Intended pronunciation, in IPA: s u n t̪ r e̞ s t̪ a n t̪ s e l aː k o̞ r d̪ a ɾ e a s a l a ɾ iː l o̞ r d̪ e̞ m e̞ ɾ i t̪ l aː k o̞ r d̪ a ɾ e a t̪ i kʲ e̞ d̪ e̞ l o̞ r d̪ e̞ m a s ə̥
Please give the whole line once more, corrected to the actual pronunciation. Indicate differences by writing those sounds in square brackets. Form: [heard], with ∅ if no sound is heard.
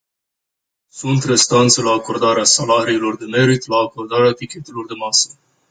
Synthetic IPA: s u n t̪ r e̞ s t̪ a n t̪ s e l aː k o̞ r d̪ a ɾ e a s a l a ɾ iː l o̞ r d̪ e̞ m e̞ ɾ i t̪ l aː k o̞ r d̪ a ɾ e a t̪ i kʲ e̞ [t̪] e̞ l o̞ r d̪ e̞ m a s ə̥